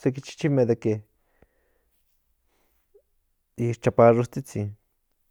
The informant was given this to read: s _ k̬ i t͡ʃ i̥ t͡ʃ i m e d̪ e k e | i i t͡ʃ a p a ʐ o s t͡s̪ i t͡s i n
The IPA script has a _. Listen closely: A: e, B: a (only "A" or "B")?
A